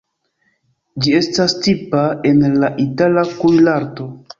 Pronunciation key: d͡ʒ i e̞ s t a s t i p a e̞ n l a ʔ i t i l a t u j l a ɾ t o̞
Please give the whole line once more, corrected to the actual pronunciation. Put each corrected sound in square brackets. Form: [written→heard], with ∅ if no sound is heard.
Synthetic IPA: d͡ʒ i e̞ s t a s t i p a e̞ n l a ʔ i t [i→a] l a [t→k] u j l a ɾ t o̞